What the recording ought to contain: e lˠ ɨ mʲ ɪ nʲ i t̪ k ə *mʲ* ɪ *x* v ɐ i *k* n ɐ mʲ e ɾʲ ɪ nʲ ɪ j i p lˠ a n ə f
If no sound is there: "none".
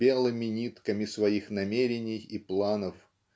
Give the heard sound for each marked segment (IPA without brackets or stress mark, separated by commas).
mʲ, s, x